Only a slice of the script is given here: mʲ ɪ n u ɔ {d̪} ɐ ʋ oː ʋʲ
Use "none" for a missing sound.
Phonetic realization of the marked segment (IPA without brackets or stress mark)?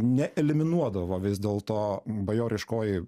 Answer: d̪